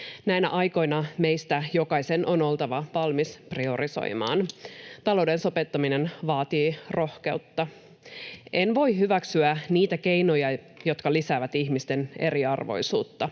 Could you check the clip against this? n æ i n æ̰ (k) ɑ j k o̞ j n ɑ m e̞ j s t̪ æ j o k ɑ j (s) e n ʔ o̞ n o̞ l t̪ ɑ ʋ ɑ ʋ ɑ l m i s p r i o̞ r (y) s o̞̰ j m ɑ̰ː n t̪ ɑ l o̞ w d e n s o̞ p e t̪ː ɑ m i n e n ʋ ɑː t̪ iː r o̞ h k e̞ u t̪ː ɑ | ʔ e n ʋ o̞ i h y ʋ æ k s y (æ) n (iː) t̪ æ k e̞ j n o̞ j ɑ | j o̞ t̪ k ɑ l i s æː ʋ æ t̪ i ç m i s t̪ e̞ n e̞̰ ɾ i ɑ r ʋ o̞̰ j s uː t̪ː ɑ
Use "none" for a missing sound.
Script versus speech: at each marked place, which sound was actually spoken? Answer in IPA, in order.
ʔ, s, i, æ, iː

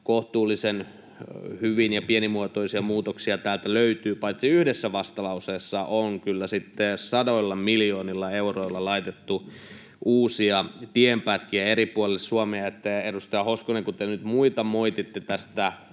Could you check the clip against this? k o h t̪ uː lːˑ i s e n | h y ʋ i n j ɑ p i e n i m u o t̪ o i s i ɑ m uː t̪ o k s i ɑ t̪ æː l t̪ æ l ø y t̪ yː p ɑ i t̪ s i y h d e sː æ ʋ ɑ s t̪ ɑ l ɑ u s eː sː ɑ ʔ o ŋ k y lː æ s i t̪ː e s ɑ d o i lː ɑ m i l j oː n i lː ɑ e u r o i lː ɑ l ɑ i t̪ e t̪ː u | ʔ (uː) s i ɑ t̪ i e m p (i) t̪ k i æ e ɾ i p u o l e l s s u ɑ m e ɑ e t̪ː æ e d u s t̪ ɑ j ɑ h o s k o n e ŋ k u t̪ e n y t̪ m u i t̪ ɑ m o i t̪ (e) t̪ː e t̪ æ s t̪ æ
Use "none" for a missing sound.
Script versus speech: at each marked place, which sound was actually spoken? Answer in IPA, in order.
uː, æ, i

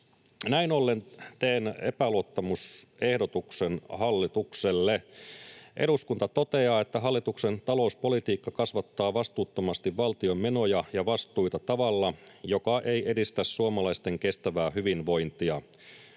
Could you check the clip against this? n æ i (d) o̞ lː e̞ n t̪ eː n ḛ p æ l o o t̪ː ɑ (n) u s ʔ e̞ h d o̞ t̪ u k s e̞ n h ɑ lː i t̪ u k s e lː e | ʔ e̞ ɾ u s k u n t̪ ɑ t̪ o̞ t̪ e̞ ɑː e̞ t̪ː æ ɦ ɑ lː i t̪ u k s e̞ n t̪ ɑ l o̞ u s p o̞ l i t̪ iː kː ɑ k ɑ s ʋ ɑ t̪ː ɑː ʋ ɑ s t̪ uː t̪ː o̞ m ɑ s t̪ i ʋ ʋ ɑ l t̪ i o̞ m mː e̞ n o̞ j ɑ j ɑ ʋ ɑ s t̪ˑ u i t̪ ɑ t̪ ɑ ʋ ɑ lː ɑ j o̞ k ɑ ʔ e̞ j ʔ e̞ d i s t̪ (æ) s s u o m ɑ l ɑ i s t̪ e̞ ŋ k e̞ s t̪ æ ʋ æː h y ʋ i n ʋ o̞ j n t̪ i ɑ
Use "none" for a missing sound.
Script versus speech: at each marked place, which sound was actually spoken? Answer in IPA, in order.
n, m, æ

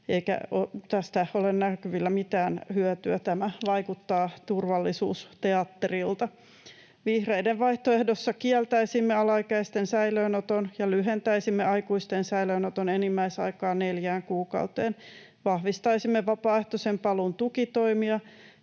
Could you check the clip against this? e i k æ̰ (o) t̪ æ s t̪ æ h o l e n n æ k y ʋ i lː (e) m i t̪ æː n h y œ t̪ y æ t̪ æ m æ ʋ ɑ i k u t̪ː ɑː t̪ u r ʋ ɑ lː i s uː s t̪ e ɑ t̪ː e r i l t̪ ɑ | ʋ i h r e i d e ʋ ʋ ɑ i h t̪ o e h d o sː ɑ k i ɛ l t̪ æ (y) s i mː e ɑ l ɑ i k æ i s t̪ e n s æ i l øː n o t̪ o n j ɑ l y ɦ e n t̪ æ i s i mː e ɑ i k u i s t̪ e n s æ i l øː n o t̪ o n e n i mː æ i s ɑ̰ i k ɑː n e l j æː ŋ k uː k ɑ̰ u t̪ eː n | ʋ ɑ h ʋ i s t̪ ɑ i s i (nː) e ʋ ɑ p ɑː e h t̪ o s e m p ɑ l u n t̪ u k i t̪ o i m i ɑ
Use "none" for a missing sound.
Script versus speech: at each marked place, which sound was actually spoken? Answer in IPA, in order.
o, æ, i, mː

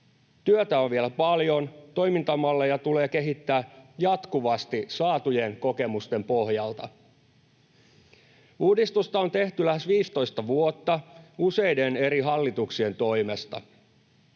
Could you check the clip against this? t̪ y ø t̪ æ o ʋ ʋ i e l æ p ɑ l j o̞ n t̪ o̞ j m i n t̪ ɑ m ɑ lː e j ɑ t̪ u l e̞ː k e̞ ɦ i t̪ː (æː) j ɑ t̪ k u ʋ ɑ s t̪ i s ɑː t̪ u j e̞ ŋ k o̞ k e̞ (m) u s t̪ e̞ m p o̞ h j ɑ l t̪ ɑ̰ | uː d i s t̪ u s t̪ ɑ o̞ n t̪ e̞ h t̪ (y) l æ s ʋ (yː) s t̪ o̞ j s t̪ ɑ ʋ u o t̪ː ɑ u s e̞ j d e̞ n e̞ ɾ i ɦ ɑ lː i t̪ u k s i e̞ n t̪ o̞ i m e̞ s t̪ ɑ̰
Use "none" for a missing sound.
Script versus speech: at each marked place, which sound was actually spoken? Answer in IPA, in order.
æː, m, y, iː

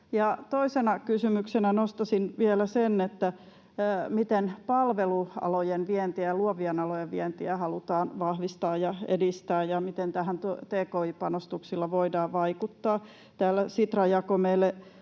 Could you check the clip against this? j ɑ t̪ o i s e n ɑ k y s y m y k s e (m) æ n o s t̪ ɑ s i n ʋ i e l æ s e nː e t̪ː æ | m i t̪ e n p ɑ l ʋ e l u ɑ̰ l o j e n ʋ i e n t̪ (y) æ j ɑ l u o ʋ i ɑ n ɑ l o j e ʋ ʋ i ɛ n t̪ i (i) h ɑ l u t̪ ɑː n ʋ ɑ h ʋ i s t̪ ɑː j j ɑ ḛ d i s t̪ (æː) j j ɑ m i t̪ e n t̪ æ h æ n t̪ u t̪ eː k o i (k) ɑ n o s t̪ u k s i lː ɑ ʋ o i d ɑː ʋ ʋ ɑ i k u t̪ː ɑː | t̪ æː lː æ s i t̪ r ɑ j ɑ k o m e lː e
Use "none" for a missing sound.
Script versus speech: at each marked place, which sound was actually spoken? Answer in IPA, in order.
n, i, æ, æː, p

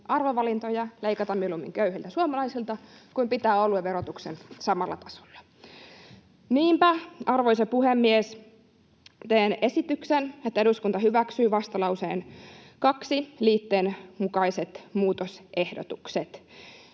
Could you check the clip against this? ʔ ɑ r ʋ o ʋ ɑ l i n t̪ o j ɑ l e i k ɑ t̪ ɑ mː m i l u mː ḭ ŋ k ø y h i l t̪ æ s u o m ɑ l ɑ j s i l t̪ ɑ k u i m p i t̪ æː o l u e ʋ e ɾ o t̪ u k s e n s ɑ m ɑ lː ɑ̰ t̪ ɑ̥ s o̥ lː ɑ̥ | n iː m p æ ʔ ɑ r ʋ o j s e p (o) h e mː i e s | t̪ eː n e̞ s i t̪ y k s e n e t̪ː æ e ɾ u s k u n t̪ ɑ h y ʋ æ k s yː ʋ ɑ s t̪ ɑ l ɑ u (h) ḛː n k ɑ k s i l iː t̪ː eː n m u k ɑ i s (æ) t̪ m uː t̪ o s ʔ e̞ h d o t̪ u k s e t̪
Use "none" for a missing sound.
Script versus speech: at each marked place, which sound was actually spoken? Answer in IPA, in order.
u, s, e

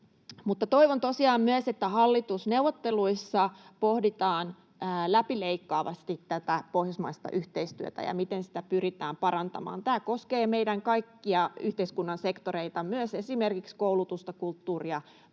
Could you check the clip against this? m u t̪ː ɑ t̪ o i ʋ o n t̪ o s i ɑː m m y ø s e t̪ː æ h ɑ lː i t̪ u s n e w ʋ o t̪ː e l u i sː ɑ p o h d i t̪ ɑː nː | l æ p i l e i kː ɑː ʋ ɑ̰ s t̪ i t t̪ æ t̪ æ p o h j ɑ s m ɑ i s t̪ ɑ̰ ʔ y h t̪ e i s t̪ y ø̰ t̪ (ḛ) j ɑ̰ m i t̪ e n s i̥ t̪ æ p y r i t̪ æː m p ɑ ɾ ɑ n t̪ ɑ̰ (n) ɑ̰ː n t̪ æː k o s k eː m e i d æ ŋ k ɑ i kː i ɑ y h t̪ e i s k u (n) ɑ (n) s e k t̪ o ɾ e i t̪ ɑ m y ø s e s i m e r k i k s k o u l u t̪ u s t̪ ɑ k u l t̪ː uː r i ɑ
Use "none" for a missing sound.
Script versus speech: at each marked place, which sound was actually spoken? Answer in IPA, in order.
æ̰, m, nː, n

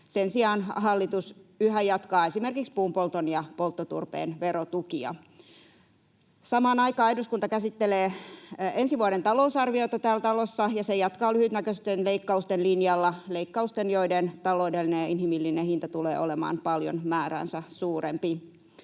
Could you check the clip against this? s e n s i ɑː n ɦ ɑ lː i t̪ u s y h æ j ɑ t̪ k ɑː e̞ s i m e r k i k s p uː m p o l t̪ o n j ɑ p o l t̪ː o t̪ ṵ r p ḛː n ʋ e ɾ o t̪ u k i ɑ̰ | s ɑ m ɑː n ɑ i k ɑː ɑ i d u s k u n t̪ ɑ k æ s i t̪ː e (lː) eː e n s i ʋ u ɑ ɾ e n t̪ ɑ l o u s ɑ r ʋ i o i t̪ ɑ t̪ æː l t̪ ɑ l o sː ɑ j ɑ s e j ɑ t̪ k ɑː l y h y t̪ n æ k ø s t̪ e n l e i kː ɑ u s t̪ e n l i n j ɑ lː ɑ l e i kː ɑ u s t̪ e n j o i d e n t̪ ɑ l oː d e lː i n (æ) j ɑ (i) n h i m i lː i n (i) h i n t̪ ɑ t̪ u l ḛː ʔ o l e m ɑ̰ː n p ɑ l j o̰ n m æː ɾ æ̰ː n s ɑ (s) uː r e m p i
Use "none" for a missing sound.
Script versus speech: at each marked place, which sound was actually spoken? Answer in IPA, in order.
l, e, i, e, s

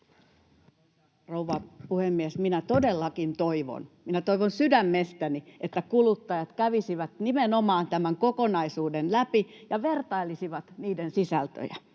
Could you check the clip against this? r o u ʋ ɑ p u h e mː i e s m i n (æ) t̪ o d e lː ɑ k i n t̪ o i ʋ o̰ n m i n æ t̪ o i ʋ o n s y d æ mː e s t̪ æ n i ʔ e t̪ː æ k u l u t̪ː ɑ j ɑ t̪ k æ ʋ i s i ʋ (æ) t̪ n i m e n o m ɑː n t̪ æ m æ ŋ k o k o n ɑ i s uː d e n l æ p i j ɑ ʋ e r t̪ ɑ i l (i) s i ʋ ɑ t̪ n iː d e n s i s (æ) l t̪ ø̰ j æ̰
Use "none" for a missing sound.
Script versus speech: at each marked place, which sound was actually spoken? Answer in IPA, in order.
æ, æ, i, æ

